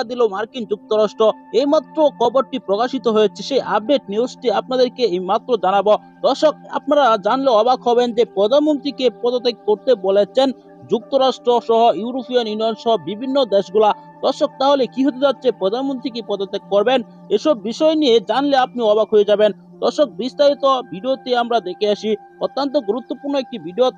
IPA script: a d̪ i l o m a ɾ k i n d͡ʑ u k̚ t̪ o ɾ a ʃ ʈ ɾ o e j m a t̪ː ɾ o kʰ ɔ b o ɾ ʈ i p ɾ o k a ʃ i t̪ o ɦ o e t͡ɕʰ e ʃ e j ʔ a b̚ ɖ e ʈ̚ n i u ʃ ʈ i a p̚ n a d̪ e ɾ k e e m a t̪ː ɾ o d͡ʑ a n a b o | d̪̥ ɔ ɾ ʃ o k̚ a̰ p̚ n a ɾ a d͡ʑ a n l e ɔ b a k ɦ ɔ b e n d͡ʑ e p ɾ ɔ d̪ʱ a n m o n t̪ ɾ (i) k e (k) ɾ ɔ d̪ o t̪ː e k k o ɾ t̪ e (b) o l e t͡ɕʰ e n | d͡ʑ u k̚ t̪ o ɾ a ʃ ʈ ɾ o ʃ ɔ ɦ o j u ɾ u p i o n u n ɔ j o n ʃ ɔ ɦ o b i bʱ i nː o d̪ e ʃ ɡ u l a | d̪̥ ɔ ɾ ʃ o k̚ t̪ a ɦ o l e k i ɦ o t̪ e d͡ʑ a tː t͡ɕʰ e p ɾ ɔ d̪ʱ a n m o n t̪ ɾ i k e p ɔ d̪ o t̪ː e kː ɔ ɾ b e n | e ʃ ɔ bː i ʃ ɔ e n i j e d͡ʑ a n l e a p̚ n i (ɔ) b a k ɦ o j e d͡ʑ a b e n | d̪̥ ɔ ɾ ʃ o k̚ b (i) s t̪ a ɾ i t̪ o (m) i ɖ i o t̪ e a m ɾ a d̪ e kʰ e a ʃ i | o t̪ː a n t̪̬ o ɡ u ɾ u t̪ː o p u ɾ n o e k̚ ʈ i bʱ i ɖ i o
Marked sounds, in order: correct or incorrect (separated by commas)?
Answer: correct, incorrect, correct, correct, correct, incorrect